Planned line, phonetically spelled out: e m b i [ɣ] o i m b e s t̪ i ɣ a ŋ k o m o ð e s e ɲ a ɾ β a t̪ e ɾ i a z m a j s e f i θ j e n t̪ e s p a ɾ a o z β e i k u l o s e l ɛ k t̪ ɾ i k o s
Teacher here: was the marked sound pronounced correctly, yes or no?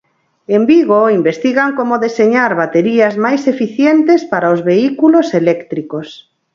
yes